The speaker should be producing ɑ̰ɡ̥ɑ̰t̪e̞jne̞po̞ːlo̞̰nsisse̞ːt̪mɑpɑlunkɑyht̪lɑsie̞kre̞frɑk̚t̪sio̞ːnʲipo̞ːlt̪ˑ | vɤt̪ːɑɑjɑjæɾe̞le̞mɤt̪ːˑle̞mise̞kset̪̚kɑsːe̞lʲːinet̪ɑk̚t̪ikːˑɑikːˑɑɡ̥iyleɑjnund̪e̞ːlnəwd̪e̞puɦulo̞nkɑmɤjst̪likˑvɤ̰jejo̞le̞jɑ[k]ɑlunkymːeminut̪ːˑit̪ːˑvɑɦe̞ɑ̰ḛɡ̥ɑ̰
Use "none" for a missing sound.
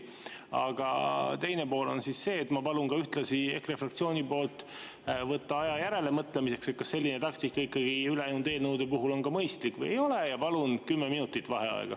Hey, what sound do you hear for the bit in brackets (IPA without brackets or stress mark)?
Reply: p